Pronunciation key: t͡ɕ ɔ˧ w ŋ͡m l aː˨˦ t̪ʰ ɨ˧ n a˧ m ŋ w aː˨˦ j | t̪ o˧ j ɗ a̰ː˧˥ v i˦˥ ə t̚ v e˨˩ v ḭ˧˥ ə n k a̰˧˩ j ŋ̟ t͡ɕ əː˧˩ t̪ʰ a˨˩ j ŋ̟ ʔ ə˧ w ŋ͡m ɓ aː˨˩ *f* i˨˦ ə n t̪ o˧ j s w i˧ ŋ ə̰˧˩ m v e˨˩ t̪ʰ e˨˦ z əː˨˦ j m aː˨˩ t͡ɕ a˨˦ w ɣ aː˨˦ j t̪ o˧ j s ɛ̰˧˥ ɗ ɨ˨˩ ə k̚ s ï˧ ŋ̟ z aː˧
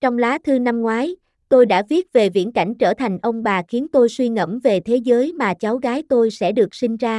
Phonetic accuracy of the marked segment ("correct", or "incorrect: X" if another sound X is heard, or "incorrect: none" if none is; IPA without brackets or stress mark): incorrect: x